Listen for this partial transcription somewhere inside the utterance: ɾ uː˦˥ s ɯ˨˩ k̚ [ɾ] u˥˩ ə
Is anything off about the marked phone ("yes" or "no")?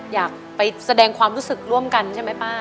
no